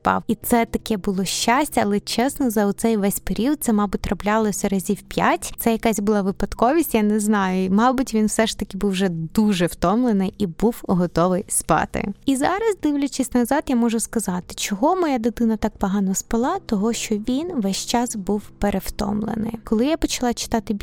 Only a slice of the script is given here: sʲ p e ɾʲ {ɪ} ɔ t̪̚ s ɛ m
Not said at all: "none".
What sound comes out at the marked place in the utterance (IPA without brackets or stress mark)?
i